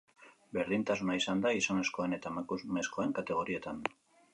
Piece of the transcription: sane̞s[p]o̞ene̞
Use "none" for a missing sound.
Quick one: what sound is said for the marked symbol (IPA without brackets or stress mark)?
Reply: k